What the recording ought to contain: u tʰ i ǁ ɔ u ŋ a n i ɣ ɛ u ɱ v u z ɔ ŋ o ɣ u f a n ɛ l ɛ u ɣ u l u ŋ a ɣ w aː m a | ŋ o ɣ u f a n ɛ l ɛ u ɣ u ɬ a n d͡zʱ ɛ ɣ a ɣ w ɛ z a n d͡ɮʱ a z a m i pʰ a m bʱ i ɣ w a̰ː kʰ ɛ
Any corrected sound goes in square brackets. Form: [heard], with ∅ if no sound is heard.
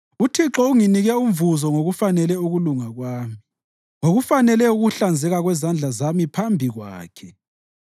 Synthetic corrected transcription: u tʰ i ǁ ɔ u ŋ [i] n i ɣ ɛ u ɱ v u z ɔ ŋ o ɣ u f a n ɛ l ɛ u ɣ u l u ŋ a ɣ w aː m [i] | ŋ o ɣ u f a n ɛ l ɛ u ɣ u ɬ a n d͡zʱ ɛ ɣ a ɣ w ɛ z a n d͡ɮʱ a z a m i pʰ a m bʱ i ɣ w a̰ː kʰ ɛ